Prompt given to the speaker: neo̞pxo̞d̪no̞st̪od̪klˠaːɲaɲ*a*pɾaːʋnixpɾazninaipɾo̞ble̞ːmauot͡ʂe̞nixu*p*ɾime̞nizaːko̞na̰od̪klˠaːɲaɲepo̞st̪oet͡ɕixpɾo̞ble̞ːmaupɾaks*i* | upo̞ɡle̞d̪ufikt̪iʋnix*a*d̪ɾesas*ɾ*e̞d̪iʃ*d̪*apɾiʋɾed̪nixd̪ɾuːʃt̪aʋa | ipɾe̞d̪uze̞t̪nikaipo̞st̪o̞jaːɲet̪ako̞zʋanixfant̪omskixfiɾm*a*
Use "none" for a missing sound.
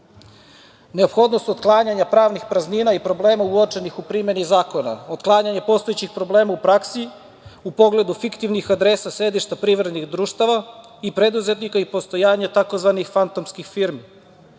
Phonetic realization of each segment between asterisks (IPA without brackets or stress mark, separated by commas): a, p, i, a, ɾ, t̪, i